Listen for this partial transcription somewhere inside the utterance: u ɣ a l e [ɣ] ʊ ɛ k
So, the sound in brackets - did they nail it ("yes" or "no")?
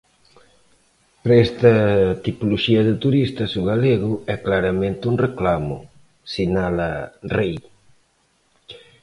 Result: yes